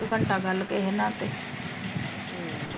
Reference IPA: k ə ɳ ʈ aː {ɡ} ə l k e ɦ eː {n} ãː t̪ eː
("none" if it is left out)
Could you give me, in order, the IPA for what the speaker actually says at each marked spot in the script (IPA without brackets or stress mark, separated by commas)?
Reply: ɡ, n